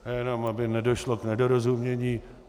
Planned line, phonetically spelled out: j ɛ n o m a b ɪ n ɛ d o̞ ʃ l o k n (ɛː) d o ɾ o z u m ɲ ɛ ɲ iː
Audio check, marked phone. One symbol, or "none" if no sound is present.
ɛ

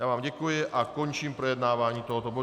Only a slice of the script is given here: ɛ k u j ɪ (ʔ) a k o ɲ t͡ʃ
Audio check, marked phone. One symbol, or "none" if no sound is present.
ʔ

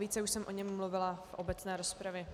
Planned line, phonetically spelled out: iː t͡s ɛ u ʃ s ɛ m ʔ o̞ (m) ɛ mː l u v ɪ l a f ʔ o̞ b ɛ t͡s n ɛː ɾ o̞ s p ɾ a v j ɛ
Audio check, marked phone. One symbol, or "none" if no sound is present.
ɲ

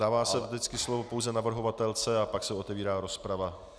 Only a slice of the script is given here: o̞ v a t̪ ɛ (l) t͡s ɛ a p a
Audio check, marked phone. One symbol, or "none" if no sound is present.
l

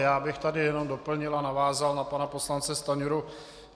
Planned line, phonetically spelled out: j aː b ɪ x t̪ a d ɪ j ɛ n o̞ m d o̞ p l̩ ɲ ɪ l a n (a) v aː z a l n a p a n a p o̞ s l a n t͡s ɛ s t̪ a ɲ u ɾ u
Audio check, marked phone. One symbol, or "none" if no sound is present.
a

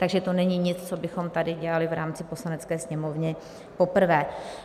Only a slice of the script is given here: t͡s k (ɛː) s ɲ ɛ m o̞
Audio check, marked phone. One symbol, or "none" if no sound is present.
ɛː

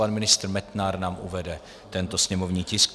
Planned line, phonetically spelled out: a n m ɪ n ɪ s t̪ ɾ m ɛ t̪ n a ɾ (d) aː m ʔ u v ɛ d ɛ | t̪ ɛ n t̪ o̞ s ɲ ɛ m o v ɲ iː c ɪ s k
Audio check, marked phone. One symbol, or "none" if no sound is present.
n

